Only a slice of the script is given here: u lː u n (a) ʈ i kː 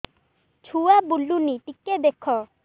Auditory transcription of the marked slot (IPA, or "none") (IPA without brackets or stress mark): i